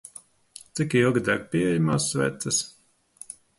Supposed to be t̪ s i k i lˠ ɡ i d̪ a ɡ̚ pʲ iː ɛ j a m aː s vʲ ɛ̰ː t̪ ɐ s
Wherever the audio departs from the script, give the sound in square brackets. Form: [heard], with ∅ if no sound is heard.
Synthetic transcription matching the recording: t̪ s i k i lˠ ɡ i d̪ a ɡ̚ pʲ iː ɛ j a m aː s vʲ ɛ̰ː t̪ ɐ s